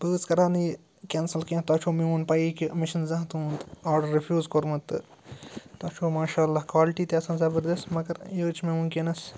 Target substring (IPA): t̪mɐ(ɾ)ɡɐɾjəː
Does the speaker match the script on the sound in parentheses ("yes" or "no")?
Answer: no